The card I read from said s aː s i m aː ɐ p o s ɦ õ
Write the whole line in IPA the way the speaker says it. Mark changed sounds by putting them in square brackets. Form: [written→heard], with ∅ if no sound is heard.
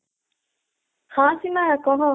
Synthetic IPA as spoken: [s→h] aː s i m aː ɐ [p→k] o [s→∅] ɦ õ